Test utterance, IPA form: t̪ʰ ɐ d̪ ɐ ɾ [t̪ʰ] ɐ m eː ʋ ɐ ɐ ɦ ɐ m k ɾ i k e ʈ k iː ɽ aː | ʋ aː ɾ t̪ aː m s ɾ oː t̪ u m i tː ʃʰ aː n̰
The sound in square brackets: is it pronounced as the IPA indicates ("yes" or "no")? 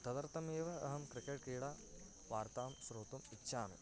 no